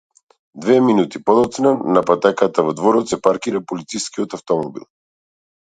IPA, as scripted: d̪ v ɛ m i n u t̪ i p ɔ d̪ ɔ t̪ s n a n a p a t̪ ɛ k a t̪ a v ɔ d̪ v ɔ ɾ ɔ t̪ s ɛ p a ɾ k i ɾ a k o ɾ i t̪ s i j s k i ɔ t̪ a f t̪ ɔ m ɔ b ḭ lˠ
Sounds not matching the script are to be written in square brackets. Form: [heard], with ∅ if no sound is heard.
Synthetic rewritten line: d̪ v ɛ m i n u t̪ i p ɔ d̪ ɔ t̪ s n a n a p a t̪ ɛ k a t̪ a v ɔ d̪ v ɔ ɾ ɔ t̪ s ɛ p a ɾ k i ɾ a [p] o [l] i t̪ s i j s k i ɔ t̪ a f t̪ ɔ m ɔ b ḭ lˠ